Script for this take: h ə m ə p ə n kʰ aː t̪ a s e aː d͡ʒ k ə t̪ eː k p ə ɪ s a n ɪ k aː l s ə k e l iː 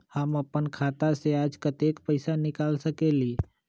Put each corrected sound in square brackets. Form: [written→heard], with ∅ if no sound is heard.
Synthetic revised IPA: h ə m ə p ə n kʰ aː t̪ a s e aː d͡ʒ k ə t̪ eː k p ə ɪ s a n ɪ k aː l s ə k e l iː

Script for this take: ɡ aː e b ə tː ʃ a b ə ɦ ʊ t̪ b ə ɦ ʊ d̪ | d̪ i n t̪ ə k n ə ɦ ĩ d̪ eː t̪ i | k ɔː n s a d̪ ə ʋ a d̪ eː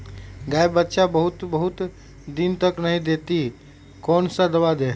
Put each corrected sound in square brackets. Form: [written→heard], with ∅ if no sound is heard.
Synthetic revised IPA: ɡ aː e b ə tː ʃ a b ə ɦ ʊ t̪ b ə ɦ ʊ [d̪→t̪] | d̪ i n t̪ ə k n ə ɦ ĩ d̪ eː t̪ i | k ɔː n s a d̪ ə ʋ a d̪ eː

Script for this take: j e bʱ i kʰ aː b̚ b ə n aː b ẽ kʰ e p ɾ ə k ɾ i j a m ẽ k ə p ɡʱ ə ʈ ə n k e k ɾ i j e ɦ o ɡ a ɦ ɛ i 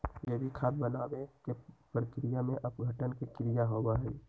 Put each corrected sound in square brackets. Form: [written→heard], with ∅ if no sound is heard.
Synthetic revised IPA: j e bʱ i kʰ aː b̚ b ə n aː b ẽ [kʰ→k] e p ɾ ə k ɾ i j a m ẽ [k→ʔ] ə p ɡʱ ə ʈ ə n k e k ɾ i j [e→a] ɦ o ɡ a ɦ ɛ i

